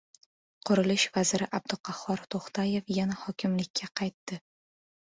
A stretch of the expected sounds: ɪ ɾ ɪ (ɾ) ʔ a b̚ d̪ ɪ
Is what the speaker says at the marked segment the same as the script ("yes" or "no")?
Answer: no